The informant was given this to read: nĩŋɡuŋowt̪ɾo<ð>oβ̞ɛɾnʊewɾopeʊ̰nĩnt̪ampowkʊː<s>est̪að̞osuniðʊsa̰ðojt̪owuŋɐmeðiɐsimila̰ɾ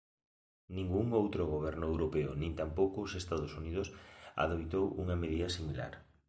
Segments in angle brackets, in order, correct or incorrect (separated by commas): incorrect, correct